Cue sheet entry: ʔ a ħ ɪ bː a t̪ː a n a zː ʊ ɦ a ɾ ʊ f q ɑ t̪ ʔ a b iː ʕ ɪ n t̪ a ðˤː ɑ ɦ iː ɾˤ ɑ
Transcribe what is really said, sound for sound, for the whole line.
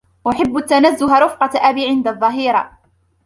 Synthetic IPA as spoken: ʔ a ħ ɪ bː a t̪ː a n a zː ʊ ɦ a ɾ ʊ f q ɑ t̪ ʔ a b iː ʕ ɪ n d̪ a ðˤː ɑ ɦ iː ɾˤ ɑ